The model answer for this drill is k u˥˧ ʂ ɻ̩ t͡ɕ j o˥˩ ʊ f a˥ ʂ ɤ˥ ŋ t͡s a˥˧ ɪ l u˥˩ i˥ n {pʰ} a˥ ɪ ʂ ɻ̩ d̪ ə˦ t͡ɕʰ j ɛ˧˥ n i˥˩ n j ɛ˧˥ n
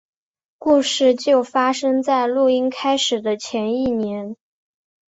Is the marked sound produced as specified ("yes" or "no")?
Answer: no